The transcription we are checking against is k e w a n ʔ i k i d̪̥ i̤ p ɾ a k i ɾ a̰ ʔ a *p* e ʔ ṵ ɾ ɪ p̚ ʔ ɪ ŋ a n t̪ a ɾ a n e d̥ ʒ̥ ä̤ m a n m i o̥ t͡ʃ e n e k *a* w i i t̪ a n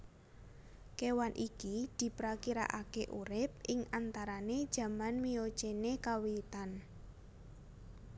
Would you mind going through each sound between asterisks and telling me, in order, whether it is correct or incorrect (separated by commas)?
incorrect, correct